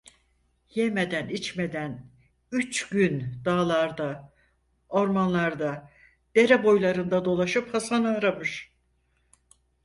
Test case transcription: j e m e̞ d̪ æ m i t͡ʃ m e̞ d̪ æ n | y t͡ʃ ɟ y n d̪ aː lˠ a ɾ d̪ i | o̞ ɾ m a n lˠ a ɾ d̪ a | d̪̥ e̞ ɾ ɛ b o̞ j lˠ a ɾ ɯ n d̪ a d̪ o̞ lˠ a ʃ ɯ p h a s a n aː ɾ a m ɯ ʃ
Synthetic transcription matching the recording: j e m e̞ d̪ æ n i t͡ʃ m e̞ d̪ æ n | y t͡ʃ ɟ y n d̪ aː lˠ a ɾ d̪ a | o̞ ɾ m a n lˠ a ɾ d̪ a | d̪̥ e̞ ɾ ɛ b o̞ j lˠ a ɾ ɯ n d̪ a d̪ o̞ lˠ a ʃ ɯ p h a s a n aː ɾ a m ɯ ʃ